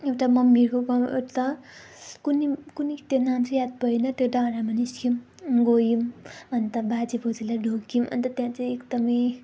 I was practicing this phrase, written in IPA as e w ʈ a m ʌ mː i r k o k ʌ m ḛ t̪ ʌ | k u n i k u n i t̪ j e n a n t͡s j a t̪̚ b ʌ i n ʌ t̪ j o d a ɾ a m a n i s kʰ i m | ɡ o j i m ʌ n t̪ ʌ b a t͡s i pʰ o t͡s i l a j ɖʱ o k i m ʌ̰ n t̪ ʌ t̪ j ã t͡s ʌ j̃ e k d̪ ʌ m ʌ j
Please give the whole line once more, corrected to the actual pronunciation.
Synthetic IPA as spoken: e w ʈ a m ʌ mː i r k o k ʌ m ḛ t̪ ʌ | k u n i k u n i t̪ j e n a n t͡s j a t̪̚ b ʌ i n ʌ t̪ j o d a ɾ a m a n i s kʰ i m | ɡ o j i m ʌ n t̪ ʌ b a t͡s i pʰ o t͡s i l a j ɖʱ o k i m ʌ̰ n t̪ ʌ t̪ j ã t͡s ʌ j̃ e k d̪ ʌ m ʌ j

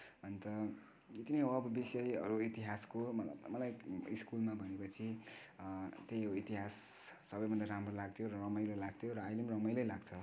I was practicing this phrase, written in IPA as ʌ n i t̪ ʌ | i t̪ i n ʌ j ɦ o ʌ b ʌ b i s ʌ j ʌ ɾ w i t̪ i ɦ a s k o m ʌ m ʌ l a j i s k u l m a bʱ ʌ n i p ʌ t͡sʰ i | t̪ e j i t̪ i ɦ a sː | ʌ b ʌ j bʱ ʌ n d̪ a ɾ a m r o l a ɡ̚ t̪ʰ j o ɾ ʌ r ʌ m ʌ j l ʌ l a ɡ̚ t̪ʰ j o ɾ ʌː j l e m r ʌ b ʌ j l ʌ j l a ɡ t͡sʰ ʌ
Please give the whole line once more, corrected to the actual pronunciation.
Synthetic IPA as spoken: ʌ n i t̪ ʌ | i t̪ i n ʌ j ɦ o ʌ b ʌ b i s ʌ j ʌ ɾ u i t̪ i ɦ a s k o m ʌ m ʌ l a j i s k u l m a bʱ ʌ n e p ʌ t͡sʰ i | t̪ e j i t̪ i ɦ a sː | ʌ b ʌ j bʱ ʌ n d̪ a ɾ a m r o l a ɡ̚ t̪ʰ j o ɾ ʌ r ʌ m ʌ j l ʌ l a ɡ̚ t̪ʰ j o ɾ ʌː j l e m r ʌ m ʌ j l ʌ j l a ɡ t͡sʰ ʌ

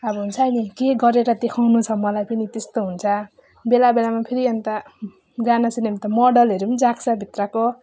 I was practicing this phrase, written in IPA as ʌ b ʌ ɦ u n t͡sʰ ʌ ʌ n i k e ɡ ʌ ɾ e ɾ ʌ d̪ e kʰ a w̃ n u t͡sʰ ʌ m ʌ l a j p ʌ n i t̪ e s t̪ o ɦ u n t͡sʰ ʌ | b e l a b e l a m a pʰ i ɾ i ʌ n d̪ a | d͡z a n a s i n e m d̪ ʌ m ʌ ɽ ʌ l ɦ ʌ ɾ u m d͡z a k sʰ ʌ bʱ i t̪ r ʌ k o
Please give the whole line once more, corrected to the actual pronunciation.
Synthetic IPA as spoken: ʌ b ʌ ɦ u n t͡sʰ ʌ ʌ n i k e ɡ ʌ ɾ e ɾ ʌ d̪ e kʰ a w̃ n u t͡sʰ ʌ m ʌ l a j p ʌ n i t̪ e s t̪ o ɦ u n t͡sʰ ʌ | b e l a b e l a m a pʰ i ɾ i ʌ n t̪ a | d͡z a n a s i n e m t̪ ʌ m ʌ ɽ ʌ l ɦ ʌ ɾ u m d͡z a k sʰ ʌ bʱ i t̪ r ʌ k o

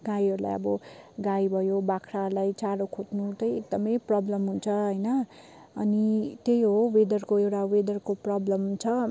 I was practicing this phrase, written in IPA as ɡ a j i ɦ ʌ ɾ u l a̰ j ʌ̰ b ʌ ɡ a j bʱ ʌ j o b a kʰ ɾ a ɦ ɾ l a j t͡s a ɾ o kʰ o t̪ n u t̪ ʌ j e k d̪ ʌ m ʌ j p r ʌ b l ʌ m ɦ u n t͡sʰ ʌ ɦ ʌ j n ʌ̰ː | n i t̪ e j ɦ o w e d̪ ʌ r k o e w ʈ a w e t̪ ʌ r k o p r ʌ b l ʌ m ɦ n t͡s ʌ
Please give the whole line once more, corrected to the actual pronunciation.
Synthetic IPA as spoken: ɡ a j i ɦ ʌ ɾ u l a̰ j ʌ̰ b ʌ ɡ a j bʱ ʌ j o b a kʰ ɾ a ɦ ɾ l a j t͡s a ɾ o kʰ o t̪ n u t̪ ʌ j e k d̪ ʌ m ʌ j p r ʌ b l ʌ m ɦ u n t͡sʰ ʌ ɦ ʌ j n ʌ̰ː | n i t̪ e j ɦ o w e d̪ ʌ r k o e w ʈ a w e d̪ ʌ r k o p r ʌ b l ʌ m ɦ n t͡sʰ ʌ

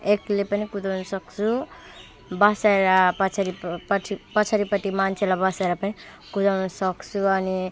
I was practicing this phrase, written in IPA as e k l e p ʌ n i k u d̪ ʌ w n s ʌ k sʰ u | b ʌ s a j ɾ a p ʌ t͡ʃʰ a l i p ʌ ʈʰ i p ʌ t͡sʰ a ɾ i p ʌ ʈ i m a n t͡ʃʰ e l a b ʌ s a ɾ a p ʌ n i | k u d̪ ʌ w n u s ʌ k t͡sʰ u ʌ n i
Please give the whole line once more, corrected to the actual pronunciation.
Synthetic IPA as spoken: e k l e p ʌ n i k u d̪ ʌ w n s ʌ k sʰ u | b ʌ s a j ɾ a p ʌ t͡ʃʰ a ɾ i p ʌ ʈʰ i p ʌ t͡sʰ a ɾ i p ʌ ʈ i m a n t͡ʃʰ e l a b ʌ s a ɾ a p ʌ n i | k u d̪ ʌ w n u s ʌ k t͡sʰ u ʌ n i

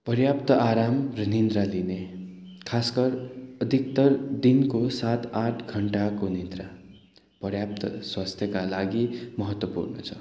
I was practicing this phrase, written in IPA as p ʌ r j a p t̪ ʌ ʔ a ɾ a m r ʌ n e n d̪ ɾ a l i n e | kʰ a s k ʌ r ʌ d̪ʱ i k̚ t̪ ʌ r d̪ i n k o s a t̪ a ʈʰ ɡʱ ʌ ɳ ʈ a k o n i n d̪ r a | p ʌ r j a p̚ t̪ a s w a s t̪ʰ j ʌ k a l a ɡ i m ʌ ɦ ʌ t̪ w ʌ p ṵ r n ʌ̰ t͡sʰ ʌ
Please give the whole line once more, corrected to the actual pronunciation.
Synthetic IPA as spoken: p ʌ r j a p t̪ ʌ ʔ a ɾ a m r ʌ n i n d̪ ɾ a l i n e | kʰ a s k ʌ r ʌ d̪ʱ i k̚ t̪ ʌ r d̪ i n k o s a t̪ a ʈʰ ɡʱ ʌ ɳ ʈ a k o n i n d̪ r a | p ʌ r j a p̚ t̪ ʌ s w a s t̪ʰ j ʌ k a l a ɡ i m ʌ ɦ ʌ t̪ w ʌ p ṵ r n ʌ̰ t͡sʰ ʌ

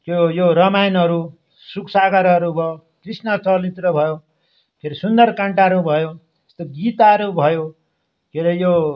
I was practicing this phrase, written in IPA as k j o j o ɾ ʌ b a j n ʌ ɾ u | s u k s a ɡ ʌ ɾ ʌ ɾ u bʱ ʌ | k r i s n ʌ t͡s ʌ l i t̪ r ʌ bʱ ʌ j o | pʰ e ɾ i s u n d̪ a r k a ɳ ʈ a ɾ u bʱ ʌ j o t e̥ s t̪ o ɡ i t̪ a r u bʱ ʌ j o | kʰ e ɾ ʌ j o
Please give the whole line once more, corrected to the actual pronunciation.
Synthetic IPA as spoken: k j o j o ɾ ʌ m a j n ʌ ɾ u | s u k s a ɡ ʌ ɾ ʌ ɾ u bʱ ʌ | k r i s n ʌ t͡s ʌ l i t̪ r ʌ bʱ ʌ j o | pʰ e ɾ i s u n d̪ ʌ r k a ɳ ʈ a ɾ u bʱ ʌ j o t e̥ s t̪ o ɡ i t̪ a ɾ u bʱ ʌ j o | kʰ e ɾ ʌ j o

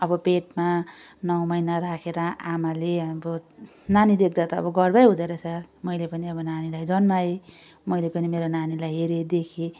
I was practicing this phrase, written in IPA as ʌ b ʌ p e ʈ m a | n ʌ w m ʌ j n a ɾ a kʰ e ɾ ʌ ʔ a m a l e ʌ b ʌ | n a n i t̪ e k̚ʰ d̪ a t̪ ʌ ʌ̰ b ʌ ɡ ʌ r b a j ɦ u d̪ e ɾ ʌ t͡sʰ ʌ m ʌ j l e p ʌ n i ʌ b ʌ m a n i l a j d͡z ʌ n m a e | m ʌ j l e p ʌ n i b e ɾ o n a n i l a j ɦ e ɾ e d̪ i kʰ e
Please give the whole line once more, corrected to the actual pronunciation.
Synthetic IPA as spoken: ʌ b ʌ p e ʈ m a | n ʌ w m ʌ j n a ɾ a kʰ e ɾ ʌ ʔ a m a l e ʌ b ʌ | n a n i d̪ e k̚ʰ d̪ a t̪ ʌ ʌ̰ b ʌ ɡ ʌ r b a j ɦ u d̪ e ɾ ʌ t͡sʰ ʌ m ʌ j l e p ʌ n i ʌ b ʌ n a n i l a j d͡z ʌ n m a e | m ʌ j l e p ʌ n i m e ɾ o n a n i l a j ɦ e ɾ e d̪ e kʰ e

